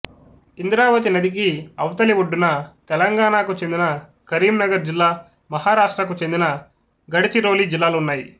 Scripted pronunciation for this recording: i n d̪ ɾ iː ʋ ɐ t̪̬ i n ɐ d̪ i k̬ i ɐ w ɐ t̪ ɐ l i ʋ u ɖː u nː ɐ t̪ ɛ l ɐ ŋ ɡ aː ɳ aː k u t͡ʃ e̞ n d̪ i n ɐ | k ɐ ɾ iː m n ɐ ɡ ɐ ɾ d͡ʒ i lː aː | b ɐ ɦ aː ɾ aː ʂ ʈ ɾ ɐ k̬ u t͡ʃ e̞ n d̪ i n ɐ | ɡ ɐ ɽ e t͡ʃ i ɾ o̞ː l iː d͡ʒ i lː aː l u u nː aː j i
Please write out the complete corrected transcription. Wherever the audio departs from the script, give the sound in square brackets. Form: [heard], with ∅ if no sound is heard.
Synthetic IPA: i n d̪ ɾ [aː] ʋ ɐ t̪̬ i n ɐ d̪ i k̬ i ɐ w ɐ t̪ ɐ l i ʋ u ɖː u [n] ɐ t̪ ɛ l ɐ ŋ ɡ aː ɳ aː k u t͡ʃ e̞ n d̪ i n ɐ | k ɐ ɾ iː m n ɐ ɡ ɐ ɾ d͡ʒ i lː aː | [m] ɐ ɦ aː ɾ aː ʂ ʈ ɾ ɐ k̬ u t͡ʃ e̞ n d̪ i n ɐ | ɡ ɐ ɽ [i] t͡ʃ i ɾ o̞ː l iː d͡ʒ i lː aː l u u nː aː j i

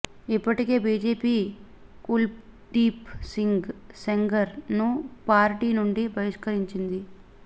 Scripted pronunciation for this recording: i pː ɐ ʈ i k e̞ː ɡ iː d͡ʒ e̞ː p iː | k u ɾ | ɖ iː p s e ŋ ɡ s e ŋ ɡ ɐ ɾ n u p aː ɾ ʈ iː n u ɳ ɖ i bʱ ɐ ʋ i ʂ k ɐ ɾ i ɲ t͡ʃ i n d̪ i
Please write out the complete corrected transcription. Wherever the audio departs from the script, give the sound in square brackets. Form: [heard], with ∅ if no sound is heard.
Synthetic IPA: i pː ɐ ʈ i k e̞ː [b] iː d͡ʒ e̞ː p iː | k u [l] | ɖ iː p s [i] ŋ ɡ s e ŋ ɡ ɐ ɾ n u p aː ɾ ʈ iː n u ɳ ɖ i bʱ ɐ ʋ i ʂ k ɐ ɾ i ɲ t͡ʃ i n d̪ i

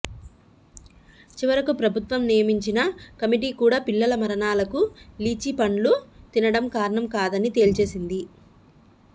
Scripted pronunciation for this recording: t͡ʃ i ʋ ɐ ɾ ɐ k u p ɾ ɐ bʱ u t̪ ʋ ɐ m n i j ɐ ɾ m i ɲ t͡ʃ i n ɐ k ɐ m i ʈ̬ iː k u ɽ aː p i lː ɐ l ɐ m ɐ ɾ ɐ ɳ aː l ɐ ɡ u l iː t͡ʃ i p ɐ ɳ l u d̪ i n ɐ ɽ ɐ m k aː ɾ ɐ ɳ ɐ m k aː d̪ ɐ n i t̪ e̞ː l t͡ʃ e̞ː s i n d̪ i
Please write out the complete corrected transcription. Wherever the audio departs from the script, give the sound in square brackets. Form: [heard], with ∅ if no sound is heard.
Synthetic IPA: t͡ʃ i ʋ ɐ ɾ ɐ k u p ɾ ɐ bʱ u t̪ ʋ ɐ m n i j ɐ [∅] m i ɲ t͡ʃ i n ɐ k ɐ m i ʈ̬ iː k [uː] ɽ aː p i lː ɐ l ɐ m ɐ ɾ ɐ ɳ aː l ɐ [k] u l iː t͡ʃ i p ɐ ɳ l u [t̪] i n ɐ ɽ ɐ m k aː ɾ ɐ ɳ ɐ m k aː d̪ ɐ n i t̪ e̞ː l t͡ʃ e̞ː s i n d̪ i

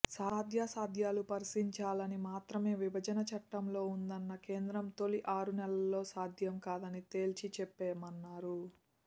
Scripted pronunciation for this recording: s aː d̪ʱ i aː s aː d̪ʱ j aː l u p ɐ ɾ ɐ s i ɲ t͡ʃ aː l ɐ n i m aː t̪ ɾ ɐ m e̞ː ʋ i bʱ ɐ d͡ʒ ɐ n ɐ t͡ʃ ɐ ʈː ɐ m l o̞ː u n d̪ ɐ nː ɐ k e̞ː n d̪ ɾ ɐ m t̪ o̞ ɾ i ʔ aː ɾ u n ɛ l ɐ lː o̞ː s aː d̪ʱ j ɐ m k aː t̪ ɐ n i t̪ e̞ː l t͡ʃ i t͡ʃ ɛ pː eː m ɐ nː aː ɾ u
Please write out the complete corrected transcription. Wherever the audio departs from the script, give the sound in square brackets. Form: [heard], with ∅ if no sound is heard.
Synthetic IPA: s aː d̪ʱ [j] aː s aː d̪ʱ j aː l u p ɐ ɾ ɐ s i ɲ t͡ʃ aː l ɐ n i m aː t̪ ɾ ɐ m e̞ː ʋ i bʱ ɐ d͡ʒ ɐ n ɐ t͡ʃ ɐ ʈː ɐ m l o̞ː u n d̪ ɐ nː ɐ k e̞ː n d̪ ɾ ɐ m t̪ o̞ [l] i ʔ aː ɾ u n ɛ l ɐ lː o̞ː s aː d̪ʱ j ɐ m k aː [d̪] ɐ n i t̪ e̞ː l t͡ʃ i t͡ʃ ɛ pː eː m ɐ nː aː ɾ u

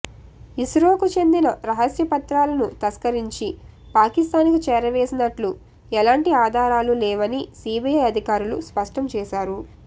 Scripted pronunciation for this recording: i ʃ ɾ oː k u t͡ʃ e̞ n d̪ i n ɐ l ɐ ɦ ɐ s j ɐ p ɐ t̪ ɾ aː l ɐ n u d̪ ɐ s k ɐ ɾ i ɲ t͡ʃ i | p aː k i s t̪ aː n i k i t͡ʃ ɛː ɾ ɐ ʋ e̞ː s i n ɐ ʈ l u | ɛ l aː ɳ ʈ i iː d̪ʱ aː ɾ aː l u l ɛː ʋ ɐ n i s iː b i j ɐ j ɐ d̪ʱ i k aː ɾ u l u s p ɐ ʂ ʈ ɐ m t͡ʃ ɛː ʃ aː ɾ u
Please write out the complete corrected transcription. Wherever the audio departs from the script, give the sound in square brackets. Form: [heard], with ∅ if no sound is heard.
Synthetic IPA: i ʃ ɾ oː k u t͡ʃ e̞ n d̪ i n ɐ [ɾ] ɐ ɦ ɐ s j ɐ p ɐ t̪ ɾ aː l ɐ n u [t̪] ɐ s k ɐ ɾ i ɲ t͡ʃ i | p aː k i s t̪ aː n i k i t͡ʃ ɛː ɾ ɐ ʋ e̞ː s i n ɐ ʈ l u | ɛ l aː ɳ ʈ i [aː] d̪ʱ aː ɾ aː l u l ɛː ʋ ɐ n i s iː b i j ɐ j ɐ d̪ʱ i k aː ɾ u l u s p ɐ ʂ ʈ ɐ m t͡ʃ ɛː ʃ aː ɾ u

